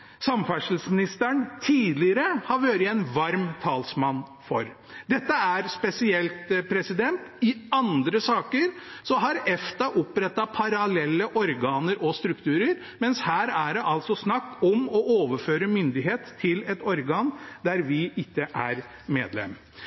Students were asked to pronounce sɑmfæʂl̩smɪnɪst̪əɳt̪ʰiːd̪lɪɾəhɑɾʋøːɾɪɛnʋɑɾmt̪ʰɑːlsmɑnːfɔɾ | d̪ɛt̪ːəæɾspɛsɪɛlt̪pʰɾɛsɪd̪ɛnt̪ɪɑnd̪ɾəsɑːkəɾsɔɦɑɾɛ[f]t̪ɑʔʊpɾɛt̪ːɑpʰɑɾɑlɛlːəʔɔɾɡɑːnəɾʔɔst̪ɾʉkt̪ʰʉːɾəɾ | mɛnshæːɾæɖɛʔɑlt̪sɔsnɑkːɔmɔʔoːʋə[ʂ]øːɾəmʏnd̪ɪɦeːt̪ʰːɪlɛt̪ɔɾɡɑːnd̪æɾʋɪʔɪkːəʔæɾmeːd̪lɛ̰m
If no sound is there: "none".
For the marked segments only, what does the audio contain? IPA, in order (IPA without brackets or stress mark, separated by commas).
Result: f, f